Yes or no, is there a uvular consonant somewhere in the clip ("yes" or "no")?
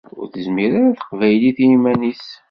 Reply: yes